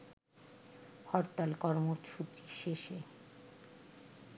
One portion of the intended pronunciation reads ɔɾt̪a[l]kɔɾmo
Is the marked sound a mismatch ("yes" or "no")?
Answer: no